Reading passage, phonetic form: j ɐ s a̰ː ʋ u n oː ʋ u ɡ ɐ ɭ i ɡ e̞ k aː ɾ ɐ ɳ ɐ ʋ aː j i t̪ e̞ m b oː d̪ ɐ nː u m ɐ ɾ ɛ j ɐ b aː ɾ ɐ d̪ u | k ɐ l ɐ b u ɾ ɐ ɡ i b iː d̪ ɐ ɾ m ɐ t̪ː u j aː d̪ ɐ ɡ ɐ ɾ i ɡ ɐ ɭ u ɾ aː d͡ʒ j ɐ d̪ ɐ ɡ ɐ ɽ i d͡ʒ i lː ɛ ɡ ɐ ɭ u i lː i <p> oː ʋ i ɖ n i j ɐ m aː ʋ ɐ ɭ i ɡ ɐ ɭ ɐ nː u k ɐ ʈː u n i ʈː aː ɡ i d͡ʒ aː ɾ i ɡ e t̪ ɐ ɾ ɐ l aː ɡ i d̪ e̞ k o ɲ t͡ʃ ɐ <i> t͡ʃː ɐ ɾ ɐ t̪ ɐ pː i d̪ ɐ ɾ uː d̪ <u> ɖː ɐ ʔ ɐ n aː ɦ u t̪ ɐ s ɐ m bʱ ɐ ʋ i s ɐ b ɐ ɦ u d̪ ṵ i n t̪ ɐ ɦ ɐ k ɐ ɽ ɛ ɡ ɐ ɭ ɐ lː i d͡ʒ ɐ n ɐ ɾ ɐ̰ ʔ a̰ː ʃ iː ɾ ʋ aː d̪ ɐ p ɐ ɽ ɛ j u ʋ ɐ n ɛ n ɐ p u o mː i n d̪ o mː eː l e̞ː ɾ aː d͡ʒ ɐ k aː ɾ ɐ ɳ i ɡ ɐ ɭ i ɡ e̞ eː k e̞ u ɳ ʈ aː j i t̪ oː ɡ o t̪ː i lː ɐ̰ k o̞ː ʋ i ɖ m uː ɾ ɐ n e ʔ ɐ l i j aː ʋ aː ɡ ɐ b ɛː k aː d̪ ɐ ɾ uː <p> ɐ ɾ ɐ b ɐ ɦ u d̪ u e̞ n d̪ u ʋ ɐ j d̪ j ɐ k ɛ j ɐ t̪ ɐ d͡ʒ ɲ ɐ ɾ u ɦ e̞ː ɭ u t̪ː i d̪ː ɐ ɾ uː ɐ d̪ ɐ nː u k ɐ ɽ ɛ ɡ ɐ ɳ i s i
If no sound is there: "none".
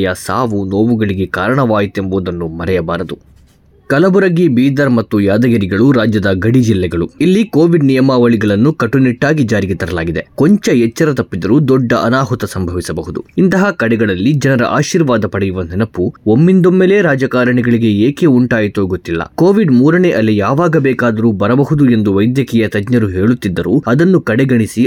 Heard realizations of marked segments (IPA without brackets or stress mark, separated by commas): k, ɛ, ɔ, b